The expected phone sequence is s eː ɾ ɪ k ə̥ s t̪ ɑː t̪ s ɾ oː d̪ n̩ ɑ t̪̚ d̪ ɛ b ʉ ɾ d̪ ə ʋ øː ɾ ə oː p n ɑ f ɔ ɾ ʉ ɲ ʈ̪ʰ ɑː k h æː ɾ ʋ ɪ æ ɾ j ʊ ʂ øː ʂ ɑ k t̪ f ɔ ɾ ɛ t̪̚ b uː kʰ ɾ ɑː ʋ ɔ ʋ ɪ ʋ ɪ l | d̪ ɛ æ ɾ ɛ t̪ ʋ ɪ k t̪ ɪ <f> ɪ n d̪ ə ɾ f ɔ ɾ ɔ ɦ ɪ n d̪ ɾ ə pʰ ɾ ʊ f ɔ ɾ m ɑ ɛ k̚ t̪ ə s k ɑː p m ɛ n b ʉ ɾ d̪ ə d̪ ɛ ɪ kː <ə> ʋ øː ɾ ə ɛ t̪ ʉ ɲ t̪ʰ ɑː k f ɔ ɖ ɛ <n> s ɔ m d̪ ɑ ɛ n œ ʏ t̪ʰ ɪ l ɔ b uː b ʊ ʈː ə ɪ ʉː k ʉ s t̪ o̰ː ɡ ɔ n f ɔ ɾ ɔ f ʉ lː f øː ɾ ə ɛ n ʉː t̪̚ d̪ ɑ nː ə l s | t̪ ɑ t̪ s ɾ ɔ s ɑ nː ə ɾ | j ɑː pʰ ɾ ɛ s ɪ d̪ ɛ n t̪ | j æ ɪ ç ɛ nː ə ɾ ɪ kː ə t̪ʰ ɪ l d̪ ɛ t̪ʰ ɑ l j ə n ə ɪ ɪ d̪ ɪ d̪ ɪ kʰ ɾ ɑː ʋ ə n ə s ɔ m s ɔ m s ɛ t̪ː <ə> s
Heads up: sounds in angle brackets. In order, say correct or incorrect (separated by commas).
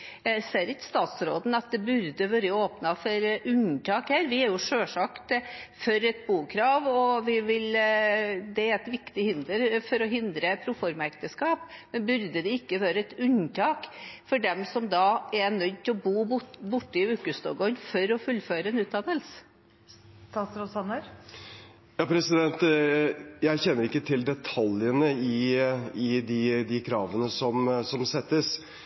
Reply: incorrect, correct, incorrect, correct